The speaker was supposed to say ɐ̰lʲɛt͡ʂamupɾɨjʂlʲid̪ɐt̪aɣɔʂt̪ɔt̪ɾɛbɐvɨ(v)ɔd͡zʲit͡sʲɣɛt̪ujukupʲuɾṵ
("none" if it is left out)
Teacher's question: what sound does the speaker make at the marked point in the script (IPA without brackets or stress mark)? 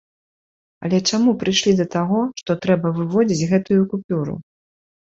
v